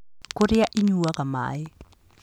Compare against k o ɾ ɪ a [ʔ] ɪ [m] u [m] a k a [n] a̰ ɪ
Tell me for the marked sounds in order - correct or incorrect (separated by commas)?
correct, incorrect, incorrect, incorrect